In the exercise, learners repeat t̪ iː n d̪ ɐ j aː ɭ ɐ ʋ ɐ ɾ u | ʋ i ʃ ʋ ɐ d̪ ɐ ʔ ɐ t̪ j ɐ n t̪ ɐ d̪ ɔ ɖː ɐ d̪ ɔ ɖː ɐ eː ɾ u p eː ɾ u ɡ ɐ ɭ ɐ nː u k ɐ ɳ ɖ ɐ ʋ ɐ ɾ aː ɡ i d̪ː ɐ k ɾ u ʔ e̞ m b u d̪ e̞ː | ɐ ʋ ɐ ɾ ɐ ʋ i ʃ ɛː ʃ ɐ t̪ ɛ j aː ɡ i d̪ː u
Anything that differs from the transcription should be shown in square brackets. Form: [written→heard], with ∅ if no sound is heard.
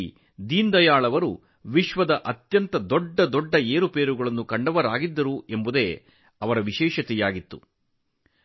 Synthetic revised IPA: [t̪→d̪] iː n d̪ ɐ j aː ɭ ɐ ʋ ɐ ɾ u | ʋ i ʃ ʋ ɐ d̪ ɐ ʔ ɐ t̪ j ɐ n t̪ ɐ d̪ ɔ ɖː ɐ d̪ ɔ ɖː ɐ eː ɾ u p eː ɾ u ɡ ɐ ɭ ɐ nː u k ɐ ɳ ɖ ɐ ʋ ɐ ɾ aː ɡ i d̪ː ɐ [k→∅] ɾ u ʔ e̞ m b u d̪ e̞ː | ɐ ʋ ɐ ɾ ɐ ʋ i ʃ ɛː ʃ ɐ t̪ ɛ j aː ɡ i [d̪ː→t̪ː] u